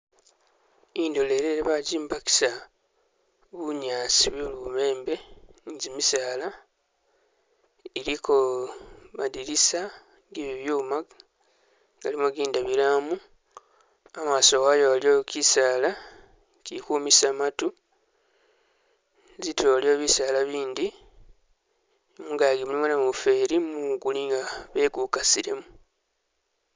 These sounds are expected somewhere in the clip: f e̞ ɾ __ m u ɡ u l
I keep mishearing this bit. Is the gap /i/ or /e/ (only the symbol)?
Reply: i